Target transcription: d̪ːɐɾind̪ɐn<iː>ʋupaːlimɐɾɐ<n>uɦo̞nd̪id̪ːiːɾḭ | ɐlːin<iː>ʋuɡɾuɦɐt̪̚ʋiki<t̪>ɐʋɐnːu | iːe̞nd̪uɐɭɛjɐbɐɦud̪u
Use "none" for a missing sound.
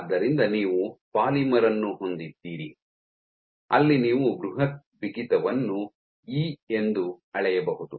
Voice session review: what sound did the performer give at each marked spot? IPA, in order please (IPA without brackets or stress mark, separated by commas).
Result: iː, nː, iː, t̪